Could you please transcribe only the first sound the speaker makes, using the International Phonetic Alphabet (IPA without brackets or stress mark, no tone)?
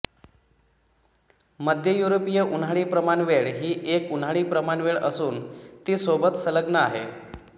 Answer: m